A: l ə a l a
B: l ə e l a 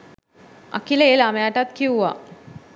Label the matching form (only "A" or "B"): B